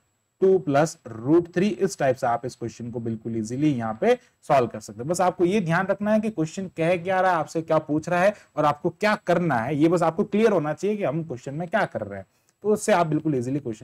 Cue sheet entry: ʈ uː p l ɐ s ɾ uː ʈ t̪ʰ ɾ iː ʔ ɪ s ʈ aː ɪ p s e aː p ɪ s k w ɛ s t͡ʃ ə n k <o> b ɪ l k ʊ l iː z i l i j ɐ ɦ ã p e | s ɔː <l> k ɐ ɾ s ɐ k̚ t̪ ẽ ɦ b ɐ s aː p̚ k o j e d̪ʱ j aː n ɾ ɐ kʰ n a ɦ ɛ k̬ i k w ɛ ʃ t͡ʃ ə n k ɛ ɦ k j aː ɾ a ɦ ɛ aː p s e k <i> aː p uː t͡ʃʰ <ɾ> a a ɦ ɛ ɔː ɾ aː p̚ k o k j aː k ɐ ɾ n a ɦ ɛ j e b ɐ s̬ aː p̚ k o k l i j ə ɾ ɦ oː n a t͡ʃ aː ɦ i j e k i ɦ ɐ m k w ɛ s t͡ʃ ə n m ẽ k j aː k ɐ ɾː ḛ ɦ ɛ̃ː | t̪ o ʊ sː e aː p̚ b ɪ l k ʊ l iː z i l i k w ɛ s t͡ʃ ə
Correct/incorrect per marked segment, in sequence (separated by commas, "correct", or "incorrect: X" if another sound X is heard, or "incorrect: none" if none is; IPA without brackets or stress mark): correct, correct, incorrect: j, correct